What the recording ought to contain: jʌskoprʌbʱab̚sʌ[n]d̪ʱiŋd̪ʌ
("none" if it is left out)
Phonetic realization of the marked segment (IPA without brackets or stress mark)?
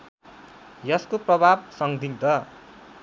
ŋ